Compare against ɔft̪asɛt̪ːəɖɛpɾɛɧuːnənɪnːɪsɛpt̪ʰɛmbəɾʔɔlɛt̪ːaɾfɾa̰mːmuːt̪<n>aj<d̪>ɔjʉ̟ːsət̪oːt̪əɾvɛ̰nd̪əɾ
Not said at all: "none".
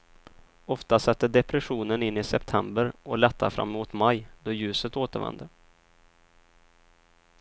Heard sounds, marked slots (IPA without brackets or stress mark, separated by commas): m, d̪